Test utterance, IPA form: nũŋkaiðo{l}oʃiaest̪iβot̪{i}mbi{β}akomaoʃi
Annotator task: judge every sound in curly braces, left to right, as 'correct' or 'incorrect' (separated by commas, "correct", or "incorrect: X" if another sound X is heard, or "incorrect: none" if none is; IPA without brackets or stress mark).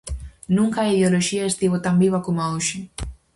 correct, incorrect: a, correct